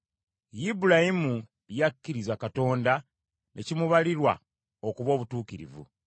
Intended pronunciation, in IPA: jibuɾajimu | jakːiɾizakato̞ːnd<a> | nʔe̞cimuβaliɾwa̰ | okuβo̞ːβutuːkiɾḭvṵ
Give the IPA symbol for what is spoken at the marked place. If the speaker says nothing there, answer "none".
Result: a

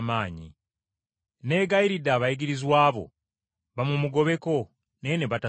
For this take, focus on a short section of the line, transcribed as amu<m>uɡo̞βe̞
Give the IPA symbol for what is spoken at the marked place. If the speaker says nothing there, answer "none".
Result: m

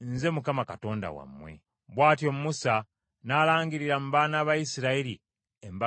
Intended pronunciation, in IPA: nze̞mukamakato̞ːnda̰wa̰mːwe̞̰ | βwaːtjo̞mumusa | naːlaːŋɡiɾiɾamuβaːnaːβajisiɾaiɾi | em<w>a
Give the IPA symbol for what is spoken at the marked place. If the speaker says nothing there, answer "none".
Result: b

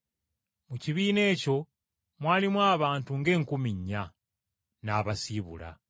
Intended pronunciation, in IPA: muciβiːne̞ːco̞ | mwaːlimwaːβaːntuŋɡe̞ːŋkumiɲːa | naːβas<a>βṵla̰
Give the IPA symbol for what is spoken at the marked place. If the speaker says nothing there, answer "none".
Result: i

